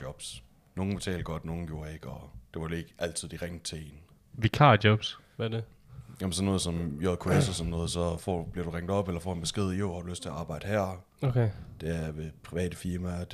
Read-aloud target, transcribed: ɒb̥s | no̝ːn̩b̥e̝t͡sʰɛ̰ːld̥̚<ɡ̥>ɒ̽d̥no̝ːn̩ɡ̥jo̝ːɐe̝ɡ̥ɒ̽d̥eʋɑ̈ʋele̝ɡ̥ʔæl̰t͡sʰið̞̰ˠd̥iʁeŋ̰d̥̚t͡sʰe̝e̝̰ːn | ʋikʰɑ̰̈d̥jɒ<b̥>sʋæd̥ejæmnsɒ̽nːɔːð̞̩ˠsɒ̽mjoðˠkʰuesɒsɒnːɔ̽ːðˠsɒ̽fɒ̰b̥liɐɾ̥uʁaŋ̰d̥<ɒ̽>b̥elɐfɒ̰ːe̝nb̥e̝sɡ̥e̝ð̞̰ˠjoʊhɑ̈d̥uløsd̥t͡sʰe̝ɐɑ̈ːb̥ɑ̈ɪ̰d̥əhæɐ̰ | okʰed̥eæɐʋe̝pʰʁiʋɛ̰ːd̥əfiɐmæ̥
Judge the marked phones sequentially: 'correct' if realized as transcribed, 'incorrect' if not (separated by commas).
correct, correct, correct